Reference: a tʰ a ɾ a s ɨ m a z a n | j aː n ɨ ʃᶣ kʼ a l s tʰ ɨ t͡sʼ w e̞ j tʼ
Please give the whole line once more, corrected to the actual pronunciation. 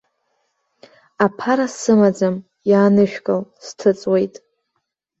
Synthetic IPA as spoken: a pʰ a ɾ a s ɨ m a d͡z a m | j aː n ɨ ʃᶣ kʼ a l s tʰ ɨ t͡sʼ w e̞ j tʼ